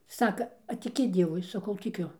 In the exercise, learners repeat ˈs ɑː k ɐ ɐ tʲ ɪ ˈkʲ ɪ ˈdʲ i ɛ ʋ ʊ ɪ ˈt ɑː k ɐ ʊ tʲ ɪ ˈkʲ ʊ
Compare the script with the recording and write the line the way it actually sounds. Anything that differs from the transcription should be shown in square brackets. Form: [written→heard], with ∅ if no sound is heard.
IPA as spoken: ˈs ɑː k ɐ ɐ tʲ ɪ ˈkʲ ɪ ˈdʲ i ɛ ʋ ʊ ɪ [ˈt→ˈs] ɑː k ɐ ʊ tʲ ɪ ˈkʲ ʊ